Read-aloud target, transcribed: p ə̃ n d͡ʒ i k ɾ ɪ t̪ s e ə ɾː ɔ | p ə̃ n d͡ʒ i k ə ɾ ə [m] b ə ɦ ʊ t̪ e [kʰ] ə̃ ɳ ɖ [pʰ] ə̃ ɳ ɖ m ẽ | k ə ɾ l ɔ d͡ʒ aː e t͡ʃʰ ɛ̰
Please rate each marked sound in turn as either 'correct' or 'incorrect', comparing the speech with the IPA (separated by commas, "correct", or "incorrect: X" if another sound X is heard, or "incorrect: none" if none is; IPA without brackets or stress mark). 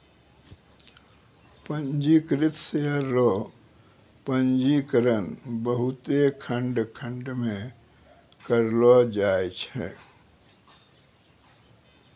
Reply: incorrect: n, correct, incorrect: kʰ